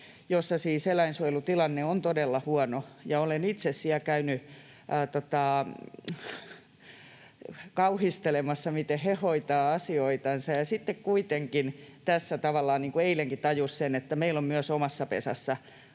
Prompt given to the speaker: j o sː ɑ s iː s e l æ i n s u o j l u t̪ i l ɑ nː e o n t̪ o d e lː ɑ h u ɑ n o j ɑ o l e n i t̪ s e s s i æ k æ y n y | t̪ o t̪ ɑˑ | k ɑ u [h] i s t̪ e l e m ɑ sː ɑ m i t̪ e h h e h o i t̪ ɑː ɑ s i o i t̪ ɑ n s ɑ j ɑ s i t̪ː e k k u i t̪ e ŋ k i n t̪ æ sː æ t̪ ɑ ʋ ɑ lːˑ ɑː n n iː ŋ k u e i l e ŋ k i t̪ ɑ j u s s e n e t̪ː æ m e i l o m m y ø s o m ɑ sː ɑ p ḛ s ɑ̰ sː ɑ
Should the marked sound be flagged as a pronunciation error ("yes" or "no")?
no